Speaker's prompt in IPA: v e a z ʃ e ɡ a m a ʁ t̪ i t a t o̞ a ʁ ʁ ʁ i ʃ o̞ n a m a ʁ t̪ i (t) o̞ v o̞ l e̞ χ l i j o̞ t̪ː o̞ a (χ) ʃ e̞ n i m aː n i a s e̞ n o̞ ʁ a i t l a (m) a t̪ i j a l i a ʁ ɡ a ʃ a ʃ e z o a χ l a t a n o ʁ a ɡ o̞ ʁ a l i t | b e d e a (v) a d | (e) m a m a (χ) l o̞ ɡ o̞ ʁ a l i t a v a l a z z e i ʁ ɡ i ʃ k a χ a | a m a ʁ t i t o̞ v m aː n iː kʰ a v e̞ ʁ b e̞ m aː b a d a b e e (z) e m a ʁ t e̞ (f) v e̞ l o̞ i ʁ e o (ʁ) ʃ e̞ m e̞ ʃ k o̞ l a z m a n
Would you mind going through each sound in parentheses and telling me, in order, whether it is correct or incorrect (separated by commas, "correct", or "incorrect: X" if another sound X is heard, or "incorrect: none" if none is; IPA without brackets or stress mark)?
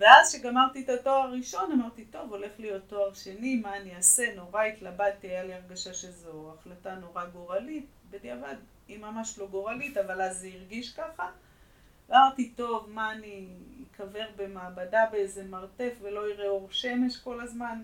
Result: correct, incorrect: ʁ, incorrect: b, correct, incorrect: i, incorrect: ʃ, correct, correct, correct